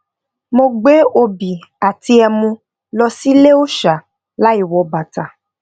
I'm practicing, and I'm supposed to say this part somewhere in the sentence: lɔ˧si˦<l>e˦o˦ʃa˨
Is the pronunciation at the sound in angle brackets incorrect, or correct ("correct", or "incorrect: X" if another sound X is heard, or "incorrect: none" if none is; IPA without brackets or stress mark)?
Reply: correct